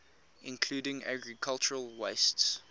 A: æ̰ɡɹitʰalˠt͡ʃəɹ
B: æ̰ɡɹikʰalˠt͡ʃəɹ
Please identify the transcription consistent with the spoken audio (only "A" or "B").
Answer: B